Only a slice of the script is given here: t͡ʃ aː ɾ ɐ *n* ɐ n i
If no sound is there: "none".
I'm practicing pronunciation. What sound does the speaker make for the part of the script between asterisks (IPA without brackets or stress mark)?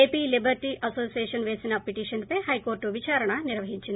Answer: ɳ